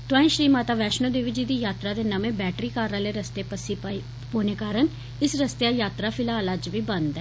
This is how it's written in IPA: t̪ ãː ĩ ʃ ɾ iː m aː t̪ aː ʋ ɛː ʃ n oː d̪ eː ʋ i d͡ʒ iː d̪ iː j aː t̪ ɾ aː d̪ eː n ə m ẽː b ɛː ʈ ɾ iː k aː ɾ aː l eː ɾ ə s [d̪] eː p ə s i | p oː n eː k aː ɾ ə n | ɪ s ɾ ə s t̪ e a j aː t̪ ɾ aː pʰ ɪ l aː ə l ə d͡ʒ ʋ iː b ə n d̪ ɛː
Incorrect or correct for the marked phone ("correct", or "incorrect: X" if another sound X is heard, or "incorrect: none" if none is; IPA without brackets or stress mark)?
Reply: incorrect: t̪